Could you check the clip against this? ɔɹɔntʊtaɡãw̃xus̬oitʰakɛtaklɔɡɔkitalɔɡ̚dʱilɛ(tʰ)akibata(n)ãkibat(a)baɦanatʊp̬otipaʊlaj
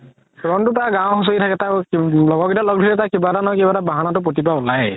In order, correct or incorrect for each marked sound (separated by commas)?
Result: incorrect, correct, correct